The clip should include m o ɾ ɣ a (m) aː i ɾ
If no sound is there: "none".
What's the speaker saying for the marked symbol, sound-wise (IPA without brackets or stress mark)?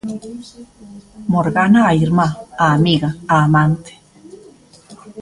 n